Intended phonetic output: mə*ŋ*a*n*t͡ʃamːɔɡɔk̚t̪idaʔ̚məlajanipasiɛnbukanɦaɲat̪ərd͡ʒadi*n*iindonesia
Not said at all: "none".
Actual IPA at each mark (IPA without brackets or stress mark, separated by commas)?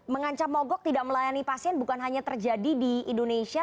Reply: ŋ, ɲ, d